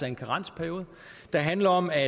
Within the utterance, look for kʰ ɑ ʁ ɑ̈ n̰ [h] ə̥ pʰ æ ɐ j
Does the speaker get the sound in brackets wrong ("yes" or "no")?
yes